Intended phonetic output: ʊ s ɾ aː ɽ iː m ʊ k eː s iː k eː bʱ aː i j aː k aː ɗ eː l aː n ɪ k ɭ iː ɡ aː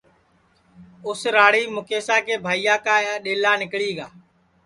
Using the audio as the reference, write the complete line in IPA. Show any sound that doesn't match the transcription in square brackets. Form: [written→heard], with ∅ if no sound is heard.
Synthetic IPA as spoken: ʊ s ɾ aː ɽ iː m ʊ k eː s [iː→aː] k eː bʱ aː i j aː k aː ɗ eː l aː n ɪ k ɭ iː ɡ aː